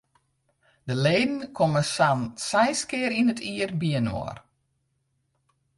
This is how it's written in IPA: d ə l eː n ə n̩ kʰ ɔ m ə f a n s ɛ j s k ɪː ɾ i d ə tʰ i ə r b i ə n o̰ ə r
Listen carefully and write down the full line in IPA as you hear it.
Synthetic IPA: d ə l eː d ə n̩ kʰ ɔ m ə s a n s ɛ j s k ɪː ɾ i n ə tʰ i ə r b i ə n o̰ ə r